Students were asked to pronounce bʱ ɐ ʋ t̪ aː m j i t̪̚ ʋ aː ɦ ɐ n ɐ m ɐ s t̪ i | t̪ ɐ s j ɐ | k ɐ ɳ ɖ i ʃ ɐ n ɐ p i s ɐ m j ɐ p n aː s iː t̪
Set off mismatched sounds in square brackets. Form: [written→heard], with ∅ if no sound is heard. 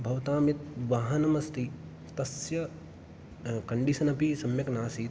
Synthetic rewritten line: bʱ ɐ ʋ t̪ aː m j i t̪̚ ʋ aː ɦ ɐ n ɐ m ɐ s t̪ i | t̪ ɐ s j ɐ | k ɐ ɳ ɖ i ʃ ɐ n ɐ p i s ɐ m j ɐ [p→k] n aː s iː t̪

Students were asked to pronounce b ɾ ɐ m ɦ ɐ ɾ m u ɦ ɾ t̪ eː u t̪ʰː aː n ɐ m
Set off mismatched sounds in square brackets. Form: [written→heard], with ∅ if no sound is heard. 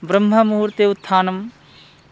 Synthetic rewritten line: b ɾ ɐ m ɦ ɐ [ɾ→∅] m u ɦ ɾ t̪ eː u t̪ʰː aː n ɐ m

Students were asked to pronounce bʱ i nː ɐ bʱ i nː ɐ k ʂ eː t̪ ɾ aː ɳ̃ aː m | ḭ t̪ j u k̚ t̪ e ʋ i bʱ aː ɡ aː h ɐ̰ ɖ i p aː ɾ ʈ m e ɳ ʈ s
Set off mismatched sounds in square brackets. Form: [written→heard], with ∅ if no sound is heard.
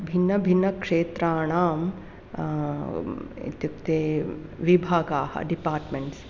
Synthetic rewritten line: bʱ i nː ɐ bʱ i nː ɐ k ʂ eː t̪ ɾ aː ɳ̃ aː m | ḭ t̪ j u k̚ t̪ e ʋ i bʱ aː ɡ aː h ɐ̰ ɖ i p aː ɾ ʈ m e ɳ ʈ s

